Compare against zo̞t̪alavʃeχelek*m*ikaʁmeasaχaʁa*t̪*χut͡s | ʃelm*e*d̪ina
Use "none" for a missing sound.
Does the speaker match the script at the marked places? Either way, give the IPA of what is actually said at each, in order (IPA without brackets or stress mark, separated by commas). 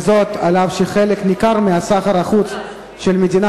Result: n, none, e